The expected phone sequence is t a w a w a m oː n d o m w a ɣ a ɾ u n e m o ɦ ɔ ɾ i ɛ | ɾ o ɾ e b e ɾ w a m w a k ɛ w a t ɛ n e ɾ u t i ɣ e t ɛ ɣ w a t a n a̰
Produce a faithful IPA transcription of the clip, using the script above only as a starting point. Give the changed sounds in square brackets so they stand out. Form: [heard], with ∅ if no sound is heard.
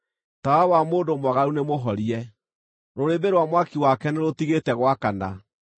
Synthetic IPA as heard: t a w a w a m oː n d o m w a ɣ a ɾ u n e m o ɦ ɔ ɾ i ɛ | ɾ o ɾ e b e ɾ w a m w a k [i] w a [k] ɛ n e ɾ [o] t i ɣ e t ɛ ɣ w a [k] a n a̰